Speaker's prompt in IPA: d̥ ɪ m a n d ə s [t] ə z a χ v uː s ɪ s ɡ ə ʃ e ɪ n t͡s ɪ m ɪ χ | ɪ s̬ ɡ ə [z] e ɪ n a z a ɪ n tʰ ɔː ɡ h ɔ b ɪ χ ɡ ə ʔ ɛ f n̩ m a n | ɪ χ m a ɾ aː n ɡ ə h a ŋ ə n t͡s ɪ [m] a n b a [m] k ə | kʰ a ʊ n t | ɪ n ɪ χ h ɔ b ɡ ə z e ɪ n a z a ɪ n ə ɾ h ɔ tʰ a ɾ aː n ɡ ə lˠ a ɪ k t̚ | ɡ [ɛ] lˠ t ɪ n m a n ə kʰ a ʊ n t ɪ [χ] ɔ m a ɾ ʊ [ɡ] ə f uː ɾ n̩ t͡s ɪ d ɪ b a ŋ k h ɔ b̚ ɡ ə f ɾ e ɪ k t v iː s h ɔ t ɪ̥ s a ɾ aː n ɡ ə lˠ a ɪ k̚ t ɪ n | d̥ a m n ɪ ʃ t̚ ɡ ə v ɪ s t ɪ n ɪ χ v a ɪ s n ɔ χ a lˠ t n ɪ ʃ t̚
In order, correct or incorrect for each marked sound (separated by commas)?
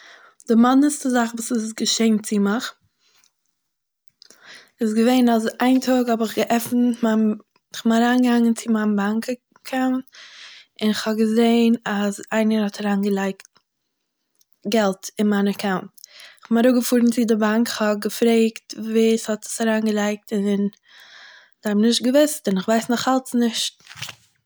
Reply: correct, incorrect, correct, incorrect, correct, correct, correct